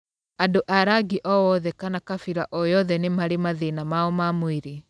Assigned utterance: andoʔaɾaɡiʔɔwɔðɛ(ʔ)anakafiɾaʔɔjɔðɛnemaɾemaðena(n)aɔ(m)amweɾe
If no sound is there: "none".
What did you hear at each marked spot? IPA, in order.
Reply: k, m, m

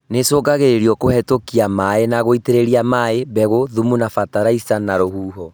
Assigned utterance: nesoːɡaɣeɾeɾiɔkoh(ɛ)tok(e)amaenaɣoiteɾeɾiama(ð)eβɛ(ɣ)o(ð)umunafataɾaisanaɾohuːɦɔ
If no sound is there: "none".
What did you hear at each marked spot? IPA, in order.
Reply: ɛ, i, none, ɣ, ð

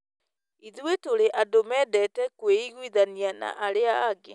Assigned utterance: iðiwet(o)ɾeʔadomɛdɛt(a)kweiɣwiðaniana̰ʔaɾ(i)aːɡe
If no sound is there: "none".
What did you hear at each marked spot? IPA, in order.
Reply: o, ɛ, e

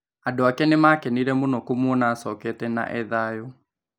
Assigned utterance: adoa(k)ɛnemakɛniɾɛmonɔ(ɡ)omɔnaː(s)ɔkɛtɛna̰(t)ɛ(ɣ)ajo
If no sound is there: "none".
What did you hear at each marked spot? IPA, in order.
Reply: k, k, s, ʔ, ð

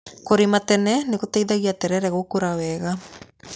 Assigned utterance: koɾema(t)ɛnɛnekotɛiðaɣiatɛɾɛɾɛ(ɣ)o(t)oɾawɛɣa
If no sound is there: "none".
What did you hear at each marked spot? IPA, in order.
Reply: t, ɣ, k

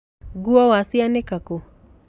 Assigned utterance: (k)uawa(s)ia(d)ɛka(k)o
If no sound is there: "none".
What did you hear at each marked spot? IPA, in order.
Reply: ɡ, s, n, k

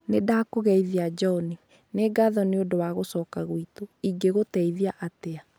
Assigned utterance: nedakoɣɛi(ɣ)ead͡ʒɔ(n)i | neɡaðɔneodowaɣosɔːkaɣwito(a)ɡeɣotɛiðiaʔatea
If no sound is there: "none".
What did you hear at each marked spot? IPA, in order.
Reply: ð, n, i

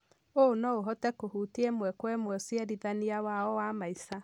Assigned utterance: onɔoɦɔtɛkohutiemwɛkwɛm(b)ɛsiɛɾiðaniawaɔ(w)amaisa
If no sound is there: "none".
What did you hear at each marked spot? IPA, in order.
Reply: w, w

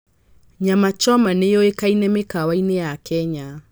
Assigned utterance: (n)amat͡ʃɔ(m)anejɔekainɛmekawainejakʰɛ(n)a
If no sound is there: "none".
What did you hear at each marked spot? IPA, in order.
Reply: ɲ, m, ɲ

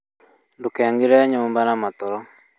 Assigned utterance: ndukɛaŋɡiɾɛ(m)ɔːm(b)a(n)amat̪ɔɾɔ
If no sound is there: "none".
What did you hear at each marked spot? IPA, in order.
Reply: ɲ, b, n

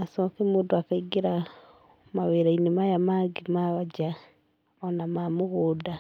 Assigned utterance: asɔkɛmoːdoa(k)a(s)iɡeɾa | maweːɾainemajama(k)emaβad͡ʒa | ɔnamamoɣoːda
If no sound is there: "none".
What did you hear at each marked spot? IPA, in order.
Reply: k, none, ɡ

